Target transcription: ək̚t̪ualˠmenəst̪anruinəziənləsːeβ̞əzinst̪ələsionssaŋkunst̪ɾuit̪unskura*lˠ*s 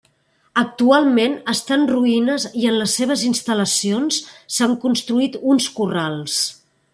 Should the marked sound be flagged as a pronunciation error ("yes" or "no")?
no